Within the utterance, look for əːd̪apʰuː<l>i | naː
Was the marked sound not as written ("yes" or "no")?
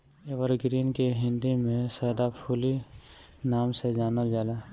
no